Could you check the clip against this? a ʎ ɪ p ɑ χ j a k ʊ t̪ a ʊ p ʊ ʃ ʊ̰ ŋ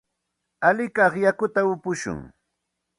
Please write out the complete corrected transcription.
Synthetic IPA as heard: a l ɪ k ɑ χ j a k ʊ t̪ a ʊ p ʊ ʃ ʊ̰ ŋ